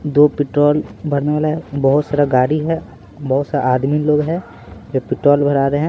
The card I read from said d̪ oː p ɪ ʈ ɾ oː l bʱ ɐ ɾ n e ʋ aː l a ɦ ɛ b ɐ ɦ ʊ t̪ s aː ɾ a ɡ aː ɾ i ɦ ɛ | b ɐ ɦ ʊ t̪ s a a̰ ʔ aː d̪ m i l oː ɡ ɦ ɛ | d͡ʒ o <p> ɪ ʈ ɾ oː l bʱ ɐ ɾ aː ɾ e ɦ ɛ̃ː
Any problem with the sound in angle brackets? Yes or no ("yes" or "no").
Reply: no